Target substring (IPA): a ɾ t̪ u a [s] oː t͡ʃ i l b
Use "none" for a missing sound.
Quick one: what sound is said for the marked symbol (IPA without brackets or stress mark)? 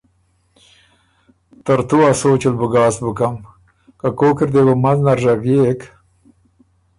s